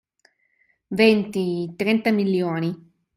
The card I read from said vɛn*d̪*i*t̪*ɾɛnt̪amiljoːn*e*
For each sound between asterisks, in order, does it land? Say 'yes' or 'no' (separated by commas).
no, yes, no